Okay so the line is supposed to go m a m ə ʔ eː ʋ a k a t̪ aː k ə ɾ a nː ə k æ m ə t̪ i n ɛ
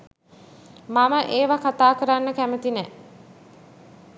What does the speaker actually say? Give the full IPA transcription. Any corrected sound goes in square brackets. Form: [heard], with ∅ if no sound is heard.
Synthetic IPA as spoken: m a m ə ʔ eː ʋ a k a t̪ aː k ə ɾ a nː ə k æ m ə t̪ i n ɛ